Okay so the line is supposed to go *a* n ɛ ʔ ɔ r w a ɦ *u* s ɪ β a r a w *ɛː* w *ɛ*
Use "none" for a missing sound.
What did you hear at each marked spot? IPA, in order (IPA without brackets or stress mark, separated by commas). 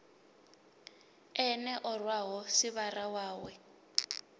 ɛ, ɔ, aː, ɛ